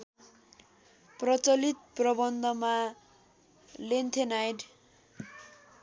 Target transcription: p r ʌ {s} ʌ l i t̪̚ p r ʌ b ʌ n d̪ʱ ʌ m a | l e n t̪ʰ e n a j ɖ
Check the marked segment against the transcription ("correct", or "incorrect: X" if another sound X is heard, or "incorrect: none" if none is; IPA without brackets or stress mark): incorrect: t͡s